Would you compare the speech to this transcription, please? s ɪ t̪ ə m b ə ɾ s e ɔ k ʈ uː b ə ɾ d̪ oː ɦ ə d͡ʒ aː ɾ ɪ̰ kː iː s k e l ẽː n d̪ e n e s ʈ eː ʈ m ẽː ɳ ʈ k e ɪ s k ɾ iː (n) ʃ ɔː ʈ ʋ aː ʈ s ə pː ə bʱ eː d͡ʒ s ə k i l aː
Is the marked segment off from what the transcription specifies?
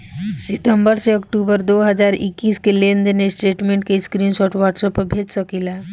no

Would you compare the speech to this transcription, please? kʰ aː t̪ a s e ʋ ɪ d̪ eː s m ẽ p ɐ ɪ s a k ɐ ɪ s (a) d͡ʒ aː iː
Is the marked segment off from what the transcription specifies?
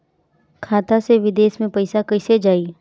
yes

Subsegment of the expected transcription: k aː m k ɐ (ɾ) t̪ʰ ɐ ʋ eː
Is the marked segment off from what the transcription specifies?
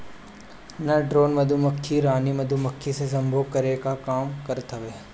no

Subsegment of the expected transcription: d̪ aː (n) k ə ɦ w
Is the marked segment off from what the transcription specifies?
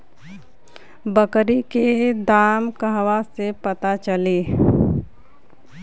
yes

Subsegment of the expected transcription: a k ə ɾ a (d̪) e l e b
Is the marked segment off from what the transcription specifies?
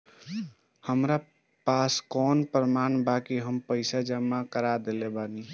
no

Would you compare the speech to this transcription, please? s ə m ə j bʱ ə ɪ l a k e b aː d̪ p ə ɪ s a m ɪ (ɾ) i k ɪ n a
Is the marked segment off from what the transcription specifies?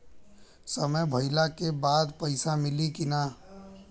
yes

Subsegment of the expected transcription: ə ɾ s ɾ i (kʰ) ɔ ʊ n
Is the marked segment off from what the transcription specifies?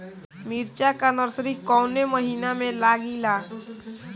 yes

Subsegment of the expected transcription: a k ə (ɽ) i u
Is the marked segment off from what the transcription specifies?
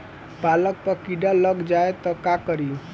yes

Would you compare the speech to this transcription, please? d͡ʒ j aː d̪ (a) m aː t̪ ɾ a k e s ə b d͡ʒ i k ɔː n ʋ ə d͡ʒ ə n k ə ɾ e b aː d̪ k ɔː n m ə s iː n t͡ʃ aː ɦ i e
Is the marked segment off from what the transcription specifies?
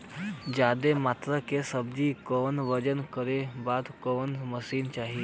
yes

